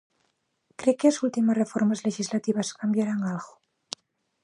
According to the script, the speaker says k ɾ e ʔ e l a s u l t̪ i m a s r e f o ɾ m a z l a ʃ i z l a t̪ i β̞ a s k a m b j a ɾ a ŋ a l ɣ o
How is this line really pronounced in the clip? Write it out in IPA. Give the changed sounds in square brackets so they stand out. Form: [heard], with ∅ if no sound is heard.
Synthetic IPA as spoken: k ɾ e [k] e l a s u l t̪ i m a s r e f o ɾ m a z l [e] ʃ i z l a t̪ i β̞ a s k a m b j a ɾ a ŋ a l ɣ o